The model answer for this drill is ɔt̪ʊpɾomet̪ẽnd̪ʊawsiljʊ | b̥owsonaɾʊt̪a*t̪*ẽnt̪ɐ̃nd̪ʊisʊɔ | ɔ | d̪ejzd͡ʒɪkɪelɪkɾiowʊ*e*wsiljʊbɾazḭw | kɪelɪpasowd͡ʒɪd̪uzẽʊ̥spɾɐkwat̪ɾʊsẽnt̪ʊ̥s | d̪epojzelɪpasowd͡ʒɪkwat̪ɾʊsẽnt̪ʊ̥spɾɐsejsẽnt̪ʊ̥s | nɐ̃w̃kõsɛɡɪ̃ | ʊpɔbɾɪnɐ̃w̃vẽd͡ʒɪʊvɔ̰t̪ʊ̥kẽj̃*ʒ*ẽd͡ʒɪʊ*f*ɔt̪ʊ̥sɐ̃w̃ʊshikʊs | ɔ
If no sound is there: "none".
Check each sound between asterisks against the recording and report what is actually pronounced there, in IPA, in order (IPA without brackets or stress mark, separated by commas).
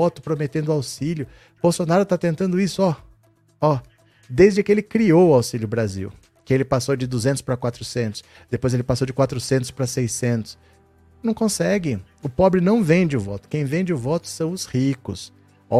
t̪, a, v, v